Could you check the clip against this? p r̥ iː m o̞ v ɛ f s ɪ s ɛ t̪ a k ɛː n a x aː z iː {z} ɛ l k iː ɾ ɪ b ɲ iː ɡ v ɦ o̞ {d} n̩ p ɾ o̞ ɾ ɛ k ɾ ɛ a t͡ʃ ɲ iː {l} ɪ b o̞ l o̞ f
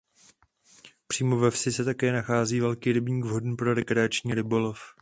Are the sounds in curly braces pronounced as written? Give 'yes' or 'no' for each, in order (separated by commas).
no, yes, no